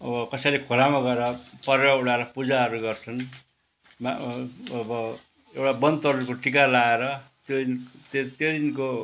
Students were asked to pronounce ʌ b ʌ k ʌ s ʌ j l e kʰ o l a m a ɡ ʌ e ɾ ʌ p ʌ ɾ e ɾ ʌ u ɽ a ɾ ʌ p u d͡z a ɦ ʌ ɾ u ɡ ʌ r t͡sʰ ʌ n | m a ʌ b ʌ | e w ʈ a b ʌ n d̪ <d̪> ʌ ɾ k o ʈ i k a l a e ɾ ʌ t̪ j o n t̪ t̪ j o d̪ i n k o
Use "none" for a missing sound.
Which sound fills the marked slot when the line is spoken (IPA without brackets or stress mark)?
t̪